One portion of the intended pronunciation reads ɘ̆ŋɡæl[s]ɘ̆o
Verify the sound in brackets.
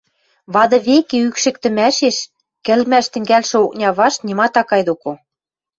incorrect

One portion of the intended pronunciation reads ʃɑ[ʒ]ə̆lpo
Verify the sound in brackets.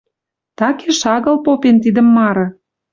incorrect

